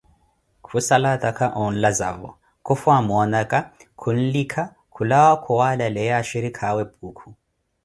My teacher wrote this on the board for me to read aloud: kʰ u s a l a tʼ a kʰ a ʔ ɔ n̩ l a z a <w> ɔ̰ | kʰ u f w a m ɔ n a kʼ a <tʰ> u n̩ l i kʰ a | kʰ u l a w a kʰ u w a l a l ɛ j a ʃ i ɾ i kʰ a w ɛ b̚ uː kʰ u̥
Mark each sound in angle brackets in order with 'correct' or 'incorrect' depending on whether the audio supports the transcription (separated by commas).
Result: incorrect, incorrect